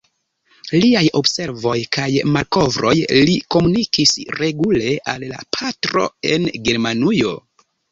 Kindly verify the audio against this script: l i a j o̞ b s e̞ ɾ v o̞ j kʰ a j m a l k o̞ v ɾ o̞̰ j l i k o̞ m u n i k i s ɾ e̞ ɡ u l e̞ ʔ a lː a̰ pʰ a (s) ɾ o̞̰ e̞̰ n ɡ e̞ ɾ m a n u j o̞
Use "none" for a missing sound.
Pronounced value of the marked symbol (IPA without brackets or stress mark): t